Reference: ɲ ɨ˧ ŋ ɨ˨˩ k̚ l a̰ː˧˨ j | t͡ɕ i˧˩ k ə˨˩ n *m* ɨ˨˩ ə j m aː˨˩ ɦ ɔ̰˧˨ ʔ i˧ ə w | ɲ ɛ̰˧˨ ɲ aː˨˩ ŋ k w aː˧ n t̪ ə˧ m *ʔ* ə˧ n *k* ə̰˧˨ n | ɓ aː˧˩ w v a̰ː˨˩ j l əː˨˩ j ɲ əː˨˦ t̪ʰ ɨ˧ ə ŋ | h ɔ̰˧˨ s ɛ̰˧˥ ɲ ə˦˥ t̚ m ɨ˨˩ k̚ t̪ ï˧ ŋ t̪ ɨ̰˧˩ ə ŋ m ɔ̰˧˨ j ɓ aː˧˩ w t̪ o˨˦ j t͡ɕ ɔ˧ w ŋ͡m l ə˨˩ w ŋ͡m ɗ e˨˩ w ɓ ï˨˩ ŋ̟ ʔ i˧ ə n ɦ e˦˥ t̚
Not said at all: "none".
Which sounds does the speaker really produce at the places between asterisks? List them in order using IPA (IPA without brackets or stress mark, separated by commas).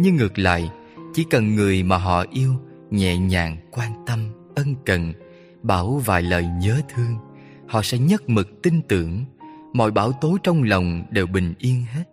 ŋ, ʔ, k